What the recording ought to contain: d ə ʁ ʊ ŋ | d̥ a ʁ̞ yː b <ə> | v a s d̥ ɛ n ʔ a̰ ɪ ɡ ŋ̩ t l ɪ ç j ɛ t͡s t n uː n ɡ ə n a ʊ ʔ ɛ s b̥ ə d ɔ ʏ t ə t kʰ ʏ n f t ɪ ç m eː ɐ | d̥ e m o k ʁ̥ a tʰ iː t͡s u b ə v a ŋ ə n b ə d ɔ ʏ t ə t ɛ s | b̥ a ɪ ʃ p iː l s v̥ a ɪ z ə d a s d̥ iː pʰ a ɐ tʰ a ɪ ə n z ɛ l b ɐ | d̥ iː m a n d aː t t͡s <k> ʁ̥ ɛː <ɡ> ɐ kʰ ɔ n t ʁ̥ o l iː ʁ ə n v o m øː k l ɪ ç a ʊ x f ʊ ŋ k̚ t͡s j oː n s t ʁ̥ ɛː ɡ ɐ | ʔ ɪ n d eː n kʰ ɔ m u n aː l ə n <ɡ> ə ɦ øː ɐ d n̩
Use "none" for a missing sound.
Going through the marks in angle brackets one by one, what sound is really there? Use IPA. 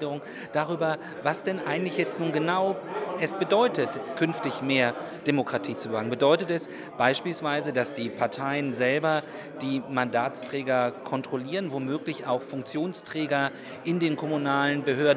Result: ɐ, t, ɡ, b

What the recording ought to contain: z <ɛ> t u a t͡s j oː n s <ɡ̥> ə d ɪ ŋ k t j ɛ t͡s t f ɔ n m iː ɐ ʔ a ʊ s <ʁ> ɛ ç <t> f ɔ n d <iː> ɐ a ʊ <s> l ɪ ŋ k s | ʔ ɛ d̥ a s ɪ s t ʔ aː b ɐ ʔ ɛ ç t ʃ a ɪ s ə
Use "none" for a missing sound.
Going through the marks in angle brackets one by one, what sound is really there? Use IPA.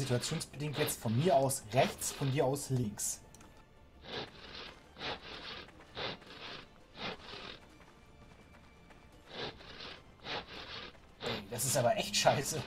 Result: i, b̥, ʁ, t͡s, iː, s

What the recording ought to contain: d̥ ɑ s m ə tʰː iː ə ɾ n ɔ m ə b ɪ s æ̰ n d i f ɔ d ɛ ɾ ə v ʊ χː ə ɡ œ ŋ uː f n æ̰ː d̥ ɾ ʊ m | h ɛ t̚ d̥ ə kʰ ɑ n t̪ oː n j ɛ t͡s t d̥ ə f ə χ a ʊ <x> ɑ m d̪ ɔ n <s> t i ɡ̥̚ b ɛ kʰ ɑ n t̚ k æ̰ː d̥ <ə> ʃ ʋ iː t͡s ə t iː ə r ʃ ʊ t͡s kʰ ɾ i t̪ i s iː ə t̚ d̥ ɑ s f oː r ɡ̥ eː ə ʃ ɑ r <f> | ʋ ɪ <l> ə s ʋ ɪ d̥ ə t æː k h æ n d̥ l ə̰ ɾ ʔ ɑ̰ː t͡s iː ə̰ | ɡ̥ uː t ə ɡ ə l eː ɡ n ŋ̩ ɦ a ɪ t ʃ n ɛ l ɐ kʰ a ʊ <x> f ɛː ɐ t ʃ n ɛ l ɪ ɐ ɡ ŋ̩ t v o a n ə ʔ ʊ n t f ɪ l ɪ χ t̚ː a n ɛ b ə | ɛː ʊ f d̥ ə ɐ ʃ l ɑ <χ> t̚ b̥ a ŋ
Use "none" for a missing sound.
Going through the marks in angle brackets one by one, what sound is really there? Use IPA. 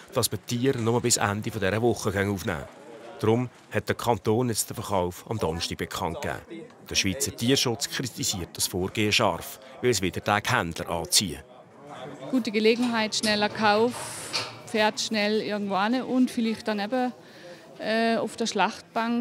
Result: f, ʃ, ə, f, l, f, χ

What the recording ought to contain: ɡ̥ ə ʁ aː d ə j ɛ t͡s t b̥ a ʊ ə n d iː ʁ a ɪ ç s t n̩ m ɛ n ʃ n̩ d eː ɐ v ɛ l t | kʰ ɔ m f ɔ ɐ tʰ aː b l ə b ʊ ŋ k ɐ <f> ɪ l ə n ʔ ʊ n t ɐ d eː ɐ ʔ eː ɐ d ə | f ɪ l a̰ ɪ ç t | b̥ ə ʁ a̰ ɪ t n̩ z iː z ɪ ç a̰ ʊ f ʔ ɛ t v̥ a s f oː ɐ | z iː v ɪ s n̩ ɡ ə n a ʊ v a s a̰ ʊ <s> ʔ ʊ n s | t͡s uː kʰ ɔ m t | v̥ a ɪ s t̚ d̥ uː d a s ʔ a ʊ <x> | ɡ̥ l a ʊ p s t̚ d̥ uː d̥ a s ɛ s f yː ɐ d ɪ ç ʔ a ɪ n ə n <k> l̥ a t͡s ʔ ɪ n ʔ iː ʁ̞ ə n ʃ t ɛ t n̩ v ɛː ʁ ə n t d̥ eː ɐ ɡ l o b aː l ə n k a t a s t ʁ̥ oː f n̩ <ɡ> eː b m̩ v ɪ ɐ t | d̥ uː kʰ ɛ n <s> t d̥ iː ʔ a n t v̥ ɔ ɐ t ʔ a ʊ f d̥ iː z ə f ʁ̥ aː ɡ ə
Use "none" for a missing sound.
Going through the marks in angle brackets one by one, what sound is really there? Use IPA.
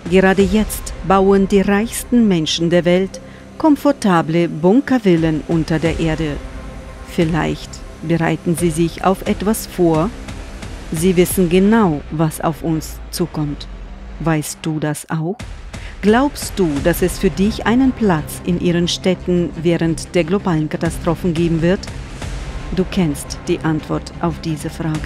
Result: v, f, x, p, ɡ, s

